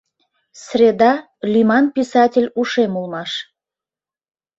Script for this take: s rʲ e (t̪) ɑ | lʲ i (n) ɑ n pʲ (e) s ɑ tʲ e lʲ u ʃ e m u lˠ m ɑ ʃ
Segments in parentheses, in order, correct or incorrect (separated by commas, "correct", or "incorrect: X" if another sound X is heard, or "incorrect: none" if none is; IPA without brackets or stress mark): incorrect: d̪, incorrect: m, incorrect: i